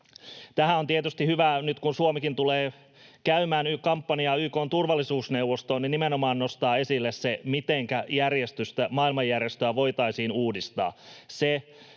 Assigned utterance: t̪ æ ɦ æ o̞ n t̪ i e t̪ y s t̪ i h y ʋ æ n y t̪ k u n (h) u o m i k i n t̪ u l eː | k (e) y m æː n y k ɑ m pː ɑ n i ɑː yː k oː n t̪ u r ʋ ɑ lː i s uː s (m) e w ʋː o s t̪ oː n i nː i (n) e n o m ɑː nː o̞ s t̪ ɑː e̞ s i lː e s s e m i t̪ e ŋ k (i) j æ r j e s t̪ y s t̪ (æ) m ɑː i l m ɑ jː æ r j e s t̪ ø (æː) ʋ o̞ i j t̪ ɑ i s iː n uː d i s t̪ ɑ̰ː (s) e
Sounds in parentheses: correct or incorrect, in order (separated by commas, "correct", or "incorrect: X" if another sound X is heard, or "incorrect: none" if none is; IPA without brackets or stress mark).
incorrect: s, incorrect: æ, incorrect: n, incorrect: m, incorrect: æ, correct, incorrect: æ, correct